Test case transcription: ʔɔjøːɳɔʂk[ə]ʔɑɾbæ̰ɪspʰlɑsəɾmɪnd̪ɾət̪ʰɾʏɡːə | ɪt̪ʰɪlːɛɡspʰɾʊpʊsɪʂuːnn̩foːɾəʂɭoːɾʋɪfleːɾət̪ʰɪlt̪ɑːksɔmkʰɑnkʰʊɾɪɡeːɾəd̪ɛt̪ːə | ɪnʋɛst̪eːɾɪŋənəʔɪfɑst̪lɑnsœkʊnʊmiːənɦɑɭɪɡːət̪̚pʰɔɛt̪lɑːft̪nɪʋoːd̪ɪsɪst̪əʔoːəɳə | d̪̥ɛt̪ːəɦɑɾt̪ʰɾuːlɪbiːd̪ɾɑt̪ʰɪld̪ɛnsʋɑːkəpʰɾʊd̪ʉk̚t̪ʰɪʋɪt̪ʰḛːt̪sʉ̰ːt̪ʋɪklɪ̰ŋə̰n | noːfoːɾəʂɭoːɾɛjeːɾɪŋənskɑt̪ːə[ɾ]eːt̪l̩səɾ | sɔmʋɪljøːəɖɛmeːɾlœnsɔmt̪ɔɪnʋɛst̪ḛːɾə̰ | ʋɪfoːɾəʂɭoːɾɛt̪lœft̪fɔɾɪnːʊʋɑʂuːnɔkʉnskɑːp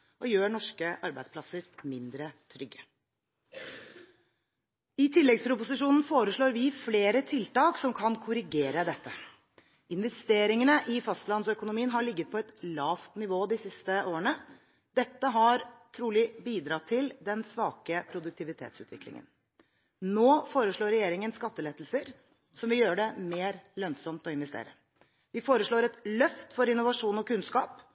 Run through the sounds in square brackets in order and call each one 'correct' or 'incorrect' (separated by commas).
correct, incorrect